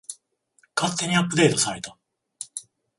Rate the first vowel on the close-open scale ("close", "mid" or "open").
open